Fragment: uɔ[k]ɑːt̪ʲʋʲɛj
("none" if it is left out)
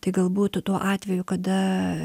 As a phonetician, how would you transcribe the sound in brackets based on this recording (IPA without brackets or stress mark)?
ʔ